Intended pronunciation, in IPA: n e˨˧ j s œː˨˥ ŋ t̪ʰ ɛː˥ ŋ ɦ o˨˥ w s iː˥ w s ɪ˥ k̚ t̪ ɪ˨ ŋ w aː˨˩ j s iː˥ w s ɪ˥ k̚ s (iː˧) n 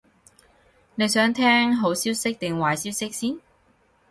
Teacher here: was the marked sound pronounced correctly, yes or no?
no